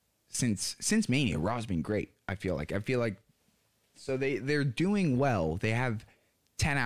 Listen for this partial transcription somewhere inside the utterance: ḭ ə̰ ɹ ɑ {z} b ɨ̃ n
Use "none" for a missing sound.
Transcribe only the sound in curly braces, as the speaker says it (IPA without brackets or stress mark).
z